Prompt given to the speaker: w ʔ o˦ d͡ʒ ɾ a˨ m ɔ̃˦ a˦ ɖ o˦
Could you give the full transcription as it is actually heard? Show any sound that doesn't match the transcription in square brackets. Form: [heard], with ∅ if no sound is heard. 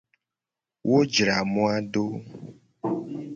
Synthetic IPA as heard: w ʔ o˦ d͡ʒ ɾ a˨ m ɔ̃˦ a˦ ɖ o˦

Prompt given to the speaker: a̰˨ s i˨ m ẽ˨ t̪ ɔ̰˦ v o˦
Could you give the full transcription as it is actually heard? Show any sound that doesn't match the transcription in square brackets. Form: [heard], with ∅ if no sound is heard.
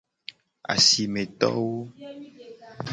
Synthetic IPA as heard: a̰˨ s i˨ m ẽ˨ t̪ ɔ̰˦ [w] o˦

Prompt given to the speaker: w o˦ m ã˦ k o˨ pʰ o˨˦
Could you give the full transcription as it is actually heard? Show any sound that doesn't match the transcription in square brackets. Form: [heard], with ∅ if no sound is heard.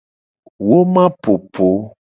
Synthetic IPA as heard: w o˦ m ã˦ [p] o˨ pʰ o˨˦

